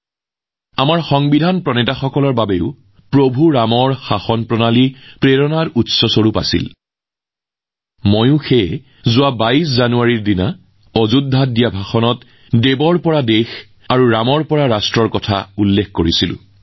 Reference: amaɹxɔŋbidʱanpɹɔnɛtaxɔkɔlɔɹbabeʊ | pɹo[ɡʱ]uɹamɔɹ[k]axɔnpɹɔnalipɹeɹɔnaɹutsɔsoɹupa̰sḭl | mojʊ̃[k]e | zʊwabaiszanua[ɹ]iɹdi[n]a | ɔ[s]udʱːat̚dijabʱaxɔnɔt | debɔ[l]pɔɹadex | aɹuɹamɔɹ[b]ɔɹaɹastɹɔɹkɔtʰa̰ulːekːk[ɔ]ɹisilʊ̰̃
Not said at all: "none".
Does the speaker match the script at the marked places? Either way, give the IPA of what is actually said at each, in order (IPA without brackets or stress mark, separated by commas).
bʱ, x, x, ɹ, n, z, ɹ, p, o